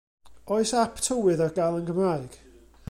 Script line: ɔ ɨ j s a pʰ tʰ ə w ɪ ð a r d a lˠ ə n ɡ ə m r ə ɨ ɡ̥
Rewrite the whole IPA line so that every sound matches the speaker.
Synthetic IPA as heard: ɔ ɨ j s a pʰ tʰ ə w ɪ ð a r ɡ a lˠ ə n ɡ ə m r a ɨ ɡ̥